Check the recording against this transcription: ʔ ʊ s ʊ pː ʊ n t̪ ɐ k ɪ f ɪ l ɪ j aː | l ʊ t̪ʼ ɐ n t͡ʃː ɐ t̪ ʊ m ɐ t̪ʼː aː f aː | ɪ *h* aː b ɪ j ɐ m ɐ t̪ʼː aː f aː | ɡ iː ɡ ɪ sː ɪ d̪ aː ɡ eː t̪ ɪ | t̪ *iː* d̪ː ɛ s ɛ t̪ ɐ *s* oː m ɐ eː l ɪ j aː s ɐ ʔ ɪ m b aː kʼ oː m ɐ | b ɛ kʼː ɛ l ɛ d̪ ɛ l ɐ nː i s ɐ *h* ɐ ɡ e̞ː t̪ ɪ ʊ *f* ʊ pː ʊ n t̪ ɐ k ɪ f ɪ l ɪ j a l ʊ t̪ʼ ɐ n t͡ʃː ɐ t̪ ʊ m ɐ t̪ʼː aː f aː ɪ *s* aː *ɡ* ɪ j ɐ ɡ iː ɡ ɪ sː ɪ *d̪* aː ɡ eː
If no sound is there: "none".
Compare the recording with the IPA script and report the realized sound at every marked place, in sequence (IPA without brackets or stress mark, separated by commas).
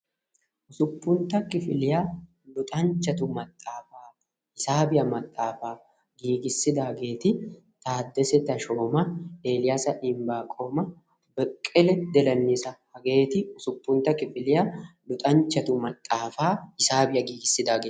s, aː, ʃ, h, s, s, b, d̪